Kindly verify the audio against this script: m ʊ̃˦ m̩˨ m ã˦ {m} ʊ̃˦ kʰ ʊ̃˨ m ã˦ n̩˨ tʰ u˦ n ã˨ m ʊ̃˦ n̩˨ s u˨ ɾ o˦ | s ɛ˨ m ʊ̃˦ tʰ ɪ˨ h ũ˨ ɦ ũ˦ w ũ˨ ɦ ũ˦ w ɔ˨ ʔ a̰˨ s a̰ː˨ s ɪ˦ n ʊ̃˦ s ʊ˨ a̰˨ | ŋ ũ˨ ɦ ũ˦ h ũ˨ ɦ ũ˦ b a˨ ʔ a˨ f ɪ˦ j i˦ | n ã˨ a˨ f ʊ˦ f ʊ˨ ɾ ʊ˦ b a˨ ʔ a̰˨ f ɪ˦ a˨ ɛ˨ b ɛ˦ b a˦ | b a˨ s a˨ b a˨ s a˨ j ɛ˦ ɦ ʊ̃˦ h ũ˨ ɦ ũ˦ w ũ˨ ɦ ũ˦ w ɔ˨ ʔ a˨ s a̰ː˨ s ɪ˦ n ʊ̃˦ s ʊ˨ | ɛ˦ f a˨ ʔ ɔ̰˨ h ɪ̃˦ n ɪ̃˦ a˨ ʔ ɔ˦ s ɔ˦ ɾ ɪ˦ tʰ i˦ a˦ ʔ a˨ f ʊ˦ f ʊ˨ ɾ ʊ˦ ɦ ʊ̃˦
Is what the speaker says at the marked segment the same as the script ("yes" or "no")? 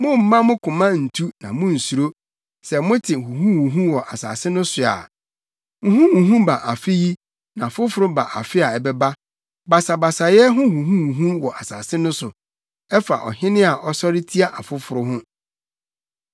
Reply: yes